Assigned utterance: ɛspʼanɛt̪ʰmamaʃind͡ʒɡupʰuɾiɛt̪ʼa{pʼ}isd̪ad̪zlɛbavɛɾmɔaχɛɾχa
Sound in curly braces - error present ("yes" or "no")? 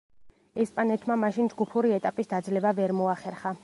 no